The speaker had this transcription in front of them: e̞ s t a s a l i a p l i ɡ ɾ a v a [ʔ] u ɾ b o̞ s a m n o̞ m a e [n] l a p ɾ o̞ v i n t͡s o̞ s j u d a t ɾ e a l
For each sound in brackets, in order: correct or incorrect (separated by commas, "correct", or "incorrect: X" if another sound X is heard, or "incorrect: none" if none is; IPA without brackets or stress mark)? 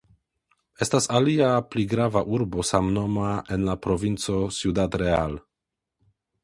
correct, correct